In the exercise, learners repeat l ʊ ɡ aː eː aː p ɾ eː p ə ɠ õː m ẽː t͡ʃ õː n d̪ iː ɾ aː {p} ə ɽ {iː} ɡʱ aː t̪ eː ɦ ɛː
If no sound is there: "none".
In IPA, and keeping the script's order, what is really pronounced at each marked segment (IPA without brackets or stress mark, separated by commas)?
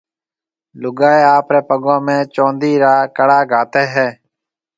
k, aː